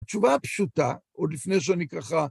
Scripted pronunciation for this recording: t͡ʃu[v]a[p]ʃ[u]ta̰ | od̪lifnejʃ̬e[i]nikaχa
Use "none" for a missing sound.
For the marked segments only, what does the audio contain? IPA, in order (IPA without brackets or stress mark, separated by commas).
v, p, u, a